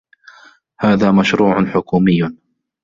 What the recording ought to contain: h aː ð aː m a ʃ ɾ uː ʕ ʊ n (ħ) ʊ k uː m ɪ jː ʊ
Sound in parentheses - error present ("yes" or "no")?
no